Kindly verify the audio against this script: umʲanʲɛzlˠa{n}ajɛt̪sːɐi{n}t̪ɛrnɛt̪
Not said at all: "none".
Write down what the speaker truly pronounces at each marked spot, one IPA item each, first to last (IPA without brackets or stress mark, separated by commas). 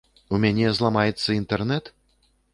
m, n